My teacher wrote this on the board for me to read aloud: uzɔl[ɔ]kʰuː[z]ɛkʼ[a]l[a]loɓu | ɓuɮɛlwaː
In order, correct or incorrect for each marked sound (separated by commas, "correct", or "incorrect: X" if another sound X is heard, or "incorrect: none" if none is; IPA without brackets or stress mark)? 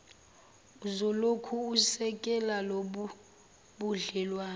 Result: incorrect: o, incorrect: s, incorrect: ɛ, correct